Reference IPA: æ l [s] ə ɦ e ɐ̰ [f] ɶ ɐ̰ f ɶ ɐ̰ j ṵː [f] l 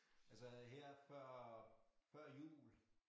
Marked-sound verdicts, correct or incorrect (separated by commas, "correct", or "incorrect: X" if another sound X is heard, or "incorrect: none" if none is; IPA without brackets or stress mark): correct, correct, incorrect: none